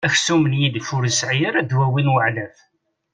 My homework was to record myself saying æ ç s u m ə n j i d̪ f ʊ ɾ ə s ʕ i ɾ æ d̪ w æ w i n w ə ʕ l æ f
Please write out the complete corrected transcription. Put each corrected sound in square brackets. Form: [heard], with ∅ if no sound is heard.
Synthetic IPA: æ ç s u m ə n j i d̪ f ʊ ɾ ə s ʕ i ɾ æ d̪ w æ w i n w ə ʕ l æ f